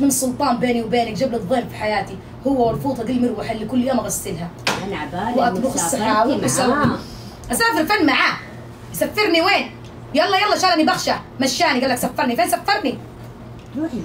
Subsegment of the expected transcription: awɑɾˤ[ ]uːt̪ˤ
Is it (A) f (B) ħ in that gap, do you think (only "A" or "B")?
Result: A